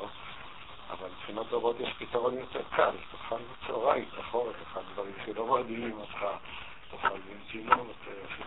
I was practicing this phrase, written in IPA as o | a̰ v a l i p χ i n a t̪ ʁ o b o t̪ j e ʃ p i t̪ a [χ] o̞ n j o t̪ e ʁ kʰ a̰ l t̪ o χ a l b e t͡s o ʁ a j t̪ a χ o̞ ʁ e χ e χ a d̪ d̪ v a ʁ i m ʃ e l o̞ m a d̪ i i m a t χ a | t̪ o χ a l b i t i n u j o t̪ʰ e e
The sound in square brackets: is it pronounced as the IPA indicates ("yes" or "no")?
no